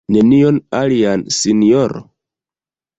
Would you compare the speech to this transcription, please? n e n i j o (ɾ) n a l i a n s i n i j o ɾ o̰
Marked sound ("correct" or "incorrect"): incorrect